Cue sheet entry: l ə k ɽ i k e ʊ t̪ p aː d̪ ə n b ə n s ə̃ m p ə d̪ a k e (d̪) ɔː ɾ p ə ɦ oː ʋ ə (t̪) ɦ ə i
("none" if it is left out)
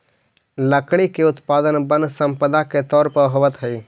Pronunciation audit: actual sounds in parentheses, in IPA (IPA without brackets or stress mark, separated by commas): t̪, t̪